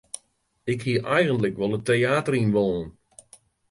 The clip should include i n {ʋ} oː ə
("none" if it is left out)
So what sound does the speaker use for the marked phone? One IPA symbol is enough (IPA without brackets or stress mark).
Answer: ʋ